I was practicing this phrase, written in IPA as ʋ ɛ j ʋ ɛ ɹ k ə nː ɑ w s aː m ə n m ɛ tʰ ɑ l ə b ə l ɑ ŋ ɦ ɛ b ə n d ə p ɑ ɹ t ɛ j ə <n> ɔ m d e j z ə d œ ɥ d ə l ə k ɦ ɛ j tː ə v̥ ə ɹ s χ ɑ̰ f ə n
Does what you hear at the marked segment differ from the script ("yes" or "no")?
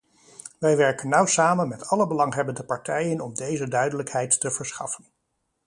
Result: no